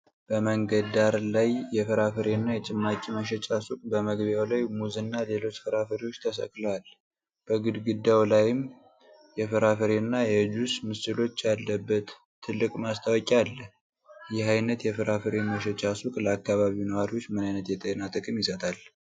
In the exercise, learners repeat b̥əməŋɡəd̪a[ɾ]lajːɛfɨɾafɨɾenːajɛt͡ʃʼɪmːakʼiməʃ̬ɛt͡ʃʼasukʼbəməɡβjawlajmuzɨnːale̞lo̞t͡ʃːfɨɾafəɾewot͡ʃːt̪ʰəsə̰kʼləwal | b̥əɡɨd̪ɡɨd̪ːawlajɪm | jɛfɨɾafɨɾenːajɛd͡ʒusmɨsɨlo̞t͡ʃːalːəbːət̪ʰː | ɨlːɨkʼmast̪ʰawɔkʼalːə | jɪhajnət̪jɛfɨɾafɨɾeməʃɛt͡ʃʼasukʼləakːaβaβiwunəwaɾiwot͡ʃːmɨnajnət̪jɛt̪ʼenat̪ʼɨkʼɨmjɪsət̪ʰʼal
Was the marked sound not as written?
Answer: no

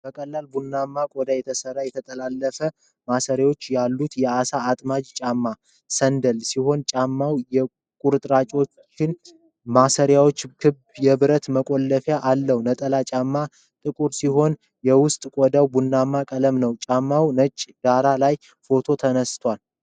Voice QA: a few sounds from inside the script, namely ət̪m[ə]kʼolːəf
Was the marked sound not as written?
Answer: no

